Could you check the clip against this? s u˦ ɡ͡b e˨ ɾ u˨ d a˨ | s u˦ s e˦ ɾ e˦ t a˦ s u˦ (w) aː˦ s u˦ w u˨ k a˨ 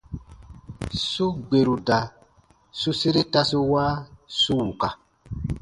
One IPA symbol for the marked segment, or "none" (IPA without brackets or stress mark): w